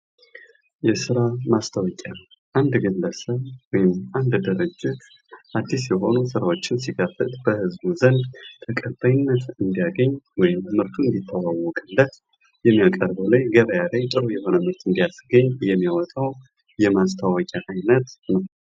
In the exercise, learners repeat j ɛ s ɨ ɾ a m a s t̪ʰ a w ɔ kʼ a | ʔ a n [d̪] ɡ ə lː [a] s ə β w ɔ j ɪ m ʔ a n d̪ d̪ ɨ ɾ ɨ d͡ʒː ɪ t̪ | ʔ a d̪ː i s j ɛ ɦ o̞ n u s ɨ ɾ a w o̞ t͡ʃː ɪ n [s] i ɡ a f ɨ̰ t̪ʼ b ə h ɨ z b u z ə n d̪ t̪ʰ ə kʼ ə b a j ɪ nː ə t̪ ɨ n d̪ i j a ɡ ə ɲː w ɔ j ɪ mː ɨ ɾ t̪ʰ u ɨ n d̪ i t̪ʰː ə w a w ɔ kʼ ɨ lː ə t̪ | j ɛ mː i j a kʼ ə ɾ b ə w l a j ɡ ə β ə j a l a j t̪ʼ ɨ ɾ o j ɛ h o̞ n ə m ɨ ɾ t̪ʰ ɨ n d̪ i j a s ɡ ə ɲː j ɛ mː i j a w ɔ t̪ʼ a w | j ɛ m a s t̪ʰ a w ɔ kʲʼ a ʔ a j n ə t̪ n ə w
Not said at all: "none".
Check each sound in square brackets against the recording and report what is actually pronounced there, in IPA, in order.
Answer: d̪, ə, s

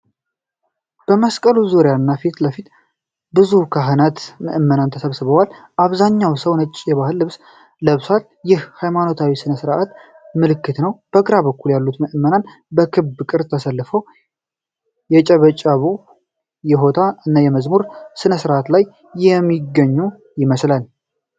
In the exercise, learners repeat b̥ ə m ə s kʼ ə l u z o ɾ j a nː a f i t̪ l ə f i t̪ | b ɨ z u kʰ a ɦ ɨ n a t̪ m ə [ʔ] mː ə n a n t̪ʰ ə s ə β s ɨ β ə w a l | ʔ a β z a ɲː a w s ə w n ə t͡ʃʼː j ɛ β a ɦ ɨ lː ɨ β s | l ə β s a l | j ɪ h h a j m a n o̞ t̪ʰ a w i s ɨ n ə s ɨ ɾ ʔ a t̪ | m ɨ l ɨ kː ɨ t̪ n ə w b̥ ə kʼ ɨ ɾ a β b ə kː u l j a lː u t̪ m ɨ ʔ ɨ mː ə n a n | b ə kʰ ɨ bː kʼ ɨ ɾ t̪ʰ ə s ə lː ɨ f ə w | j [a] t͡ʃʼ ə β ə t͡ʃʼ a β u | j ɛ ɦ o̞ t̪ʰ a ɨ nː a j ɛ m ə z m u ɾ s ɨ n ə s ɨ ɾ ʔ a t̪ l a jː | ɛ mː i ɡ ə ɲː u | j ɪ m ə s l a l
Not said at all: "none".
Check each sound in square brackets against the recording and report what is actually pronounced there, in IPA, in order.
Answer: ʔ, ɛ

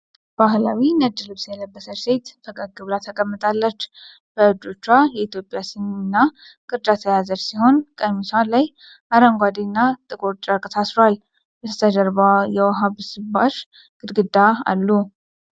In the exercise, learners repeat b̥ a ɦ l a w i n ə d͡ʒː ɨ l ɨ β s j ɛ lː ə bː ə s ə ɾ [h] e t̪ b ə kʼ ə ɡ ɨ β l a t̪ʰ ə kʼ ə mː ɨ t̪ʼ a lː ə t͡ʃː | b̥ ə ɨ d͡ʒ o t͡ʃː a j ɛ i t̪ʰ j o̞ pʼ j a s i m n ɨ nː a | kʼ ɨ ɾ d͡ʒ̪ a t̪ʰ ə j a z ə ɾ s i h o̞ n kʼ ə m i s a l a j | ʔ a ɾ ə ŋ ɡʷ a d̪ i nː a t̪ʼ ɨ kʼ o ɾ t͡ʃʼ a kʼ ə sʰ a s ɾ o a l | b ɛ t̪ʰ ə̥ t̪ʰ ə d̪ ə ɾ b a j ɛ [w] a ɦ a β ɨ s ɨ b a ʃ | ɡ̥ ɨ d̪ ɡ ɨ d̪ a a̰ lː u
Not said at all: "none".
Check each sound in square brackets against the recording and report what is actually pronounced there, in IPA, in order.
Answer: s, w

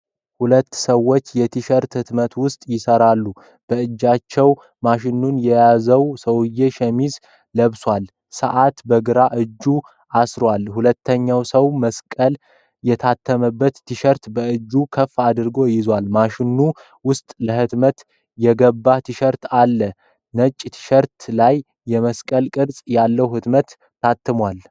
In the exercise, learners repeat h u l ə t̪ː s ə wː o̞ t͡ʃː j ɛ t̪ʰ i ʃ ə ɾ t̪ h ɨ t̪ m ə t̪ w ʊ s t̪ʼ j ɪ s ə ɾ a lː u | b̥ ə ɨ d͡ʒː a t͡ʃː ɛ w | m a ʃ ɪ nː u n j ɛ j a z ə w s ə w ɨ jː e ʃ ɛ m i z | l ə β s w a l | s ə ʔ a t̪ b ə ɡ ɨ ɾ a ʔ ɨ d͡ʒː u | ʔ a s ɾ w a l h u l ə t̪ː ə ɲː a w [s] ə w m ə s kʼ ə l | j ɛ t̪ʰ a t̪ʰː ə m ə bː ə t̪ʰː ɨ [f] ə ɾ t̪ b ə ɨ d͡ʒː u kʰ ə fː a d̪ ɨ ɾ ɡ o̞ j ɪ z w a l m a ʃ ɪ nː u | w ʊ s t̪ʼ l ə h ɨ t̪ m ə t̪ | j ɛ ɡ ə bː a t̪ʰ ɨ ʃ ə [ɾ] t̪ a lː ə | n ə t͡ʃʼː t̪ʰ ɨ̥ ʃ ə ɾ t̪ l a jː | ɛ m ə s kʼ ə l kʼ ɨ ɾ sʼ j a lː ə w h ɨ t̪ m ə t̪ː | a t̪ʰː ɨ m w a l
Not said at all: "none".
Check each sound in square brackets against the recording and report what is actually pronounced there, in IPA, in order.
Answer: s, ʃ, ɾ

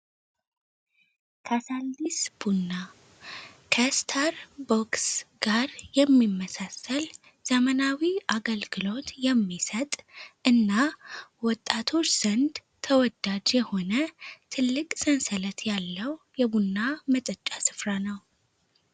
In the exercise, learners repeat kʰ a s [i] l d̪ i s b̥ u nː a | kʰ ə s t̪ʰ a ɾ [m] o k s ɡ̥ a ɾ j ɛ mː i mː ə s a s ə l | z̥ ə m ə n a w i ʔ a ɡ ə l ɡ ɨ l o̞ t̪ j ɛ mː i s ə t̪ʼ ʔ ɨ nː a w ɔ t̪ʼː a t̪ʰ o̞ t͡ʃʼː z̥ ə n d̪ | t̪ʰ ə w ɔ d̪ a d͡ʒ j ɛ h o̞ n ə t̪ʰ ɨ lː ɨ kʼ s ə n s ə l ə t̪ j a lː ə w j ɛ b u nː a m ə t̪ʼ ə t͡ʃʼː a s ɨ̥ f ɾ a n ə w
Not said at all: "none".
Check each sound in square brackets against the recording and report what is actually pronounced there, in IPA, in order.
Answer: a, b

